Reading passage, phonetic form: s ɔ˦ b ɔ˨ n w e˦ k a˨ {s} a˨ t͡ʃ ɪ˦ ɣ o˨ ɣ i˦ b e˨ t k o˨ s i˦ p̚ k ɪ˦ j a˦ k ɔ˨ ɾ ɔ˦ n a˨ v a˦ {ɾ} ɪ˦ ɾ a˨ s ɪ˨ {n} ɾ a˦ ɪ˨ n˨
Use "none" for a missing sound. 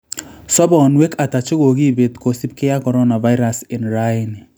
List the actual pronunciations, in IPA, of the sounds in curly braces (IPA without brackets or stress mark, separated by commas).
t, none, n